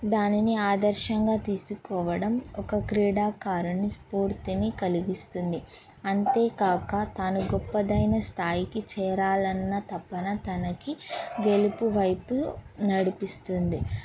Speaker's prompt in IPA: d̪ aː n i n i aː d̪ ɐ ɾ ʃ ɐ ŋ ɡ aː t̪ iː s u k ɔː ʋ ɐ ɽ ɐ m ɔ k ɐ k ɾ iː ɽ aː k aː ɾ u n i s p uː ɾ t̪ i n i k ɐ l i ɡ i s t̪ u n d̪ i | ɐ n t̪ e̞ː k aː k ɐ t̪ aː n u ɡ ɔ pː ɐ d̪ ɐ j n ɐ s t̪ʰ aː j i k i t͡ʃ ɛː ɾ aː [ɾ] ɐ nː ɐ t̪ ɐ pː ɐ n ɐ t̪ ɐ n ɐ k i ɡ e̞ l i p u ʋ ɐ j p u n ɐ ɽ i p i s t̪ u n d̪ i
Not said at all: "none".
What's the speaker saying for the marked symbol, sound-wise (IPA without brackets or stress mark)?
l